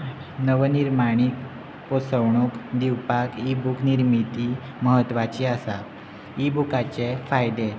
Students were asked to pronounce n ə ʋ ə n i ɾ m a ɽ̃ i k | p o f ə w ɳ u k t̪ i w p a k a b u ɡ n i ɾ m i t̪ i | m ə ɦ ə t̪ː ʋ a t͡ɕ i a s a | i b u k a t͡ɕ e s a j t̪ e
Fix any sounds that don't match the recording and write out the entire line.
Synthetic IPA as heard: n ə ʋ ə n i ɾ m a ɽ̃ i k | p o s ə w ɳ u k d̪ i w p a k i b u k n i ɾ m i t̪ i | m ə ɦ ə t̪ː ʋ a t͡ɕ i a s a | i b u k a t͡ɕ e f a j d̪ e